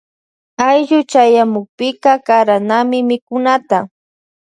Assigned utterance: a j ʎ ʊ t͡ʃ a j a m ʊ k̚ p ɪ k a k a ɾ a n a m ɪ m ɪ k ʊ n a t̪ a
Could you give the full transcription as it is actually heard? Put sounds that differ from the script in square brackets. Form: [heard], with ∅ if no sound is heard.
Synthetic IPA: a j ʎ ʊ t͡ʃ a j a m ʊ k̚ p ɪ k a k a ɾ a n a m ɪ m ɪ k ʊ n a t̪ a